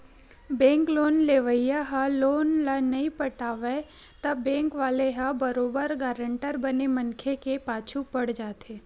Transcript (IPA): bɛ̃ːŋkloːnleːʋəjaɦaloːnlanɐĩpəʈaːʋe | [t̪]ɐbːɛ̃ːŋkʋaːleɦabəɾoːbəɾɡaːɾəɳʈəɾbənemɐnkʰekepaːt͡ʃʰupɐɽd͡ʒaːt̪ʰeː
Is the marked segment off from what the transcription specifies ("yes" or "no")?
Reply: no